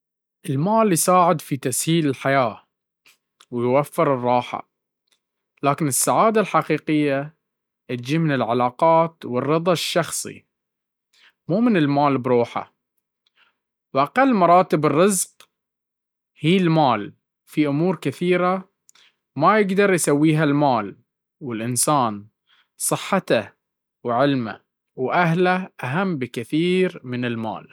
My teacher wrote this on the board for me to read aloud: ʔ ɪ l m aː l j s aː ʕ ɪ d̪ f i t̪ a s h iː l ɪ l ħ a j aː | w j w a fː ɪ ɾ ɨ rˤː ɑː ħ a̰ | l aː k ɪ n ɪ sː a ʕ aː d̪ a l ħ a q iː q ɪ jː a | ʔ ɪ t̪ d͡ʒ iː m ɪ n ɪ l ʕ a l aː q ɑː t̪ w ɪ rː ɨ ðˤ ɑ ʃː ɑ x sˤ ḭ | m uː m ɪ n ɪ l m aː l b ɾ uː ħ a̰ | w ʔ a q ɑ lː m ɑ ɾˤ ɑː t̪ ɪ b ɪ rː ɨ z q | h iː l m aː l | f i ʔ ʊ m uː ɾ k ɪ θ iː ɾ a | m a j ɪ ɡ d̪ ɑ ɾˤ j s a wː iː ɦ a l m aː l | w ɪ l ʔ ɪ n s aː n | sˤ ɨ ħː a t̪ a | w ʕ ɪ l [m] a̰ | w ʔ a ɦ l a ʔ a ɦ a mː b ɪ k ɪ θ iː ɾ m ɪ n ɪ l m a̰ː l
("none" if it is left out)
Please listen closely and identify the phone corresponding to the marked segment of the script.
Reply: m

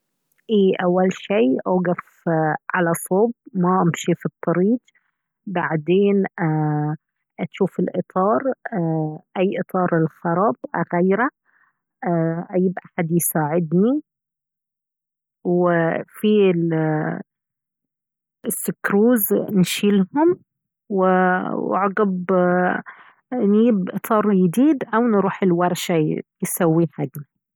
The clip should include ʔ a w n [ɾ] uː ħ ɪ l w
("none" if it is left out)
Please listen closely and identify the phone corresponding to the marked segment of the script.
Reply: ɾ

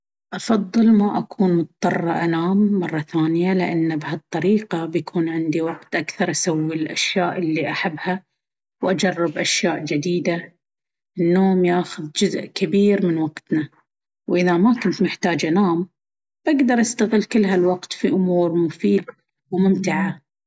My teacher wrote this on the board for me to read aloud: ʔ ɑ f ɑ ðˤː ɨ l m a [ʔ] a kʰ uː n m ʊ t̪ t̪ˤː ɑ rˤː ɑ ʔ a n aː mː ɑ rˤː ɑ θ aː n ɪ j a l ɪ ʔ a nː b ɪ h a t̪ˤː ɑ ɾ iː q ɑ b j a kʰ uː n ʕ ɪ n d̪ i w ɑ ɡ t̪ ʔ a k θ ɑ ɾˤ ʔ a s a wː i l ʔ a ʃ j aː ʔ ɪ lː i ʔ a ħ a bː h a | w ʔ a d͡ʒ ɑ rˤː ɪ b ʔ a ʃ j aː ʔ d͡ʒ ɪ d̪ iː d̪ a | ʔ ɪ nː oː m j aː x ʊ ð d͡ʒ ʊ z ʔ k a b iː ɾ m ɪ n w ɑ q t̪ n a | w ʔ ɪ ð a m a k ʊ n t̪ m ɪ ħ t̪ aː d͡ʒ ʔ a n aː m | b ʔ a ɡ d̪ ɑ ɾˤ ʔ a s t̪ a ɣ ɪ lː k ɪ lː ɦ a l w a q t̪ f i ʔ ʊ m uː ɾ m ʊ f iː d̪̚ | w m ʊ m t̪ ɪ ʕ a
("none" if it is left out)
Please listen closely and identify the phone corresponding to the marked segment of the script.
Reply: ʔ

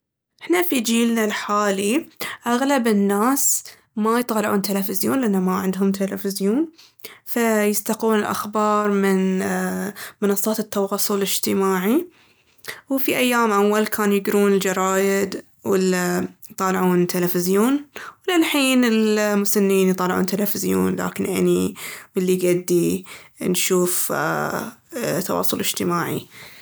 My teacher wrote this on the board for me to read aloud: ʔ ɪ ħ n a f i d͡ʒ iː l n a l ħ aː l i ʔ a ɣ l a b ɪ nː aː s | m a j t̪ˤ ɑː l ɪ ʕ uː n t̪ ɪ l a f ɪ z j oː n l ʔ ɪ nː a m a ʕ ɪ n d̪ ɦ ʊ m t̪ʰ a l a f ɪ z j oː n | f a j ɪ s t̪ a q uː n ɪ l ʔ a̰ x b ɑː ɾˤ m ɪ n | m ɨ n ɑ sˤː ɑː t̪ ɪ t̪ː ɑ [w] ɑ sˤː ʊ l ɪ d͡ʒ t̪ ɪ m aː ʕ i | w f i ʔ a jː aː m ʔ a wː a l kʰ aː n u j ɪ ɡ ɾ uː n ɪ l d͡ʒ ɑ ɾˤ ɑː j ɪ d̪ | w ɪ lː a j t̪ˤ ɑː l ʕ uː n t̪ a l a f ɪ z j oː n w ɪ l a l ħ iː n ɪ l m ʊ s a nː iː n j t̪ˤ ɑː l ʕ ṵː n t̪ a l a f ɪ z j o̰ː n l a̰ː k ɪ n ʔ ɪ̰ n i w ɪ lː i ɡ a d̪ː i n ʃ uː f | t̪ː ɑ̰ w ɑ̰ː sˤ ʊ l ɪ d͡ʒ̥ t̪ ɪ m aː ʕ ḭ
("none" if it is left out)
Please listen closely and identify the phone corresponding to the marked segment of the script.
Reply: w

